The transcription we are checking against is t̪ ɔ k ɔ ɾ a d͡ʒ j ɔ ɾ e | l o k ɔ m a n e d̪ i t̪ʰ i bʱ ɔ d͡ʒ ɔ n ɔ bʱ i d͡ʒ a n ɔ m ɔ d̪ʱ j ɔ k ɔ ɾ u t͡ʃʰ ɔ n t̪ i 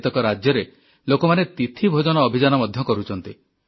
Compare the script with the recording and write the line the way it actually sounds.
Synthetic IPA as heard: t̪ ɔ k ɔ ɾ a d͡ʒ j ɔ ɾ e | l o k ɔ m a n e t̪ i t̪ʰ i bʱ o d͡ʒ ɔ n ɔː bʱ i d͡ʒ a n ɔ m ɔ d̪ʱ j ɔ k ɔ ɾ u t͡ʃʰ ɔ n t̪ i